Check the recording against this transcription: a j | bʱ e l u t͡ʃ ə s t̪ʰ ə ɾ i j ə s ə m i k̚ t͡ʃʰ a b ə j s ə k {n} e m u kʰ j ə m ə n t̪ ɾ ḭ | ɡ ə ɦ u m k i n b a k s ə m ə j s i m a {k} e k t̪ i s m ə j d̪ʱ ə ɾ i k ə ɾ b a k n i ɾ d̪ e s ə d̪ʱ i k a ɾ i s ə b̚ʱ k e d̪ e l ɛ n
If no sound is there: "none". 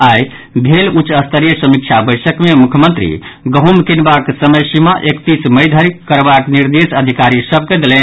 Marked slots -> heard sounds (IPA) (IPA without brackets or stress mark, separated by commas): m, ʔ